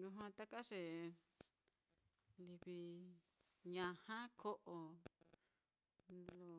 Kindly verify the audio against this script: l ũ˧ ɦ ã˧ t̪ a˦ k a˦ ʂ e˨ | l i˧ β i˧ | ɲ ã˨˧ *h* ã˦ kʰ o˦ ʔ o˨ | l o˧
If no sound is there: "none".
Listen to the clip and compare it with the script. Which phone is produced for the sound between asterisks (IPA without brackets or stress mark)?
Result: h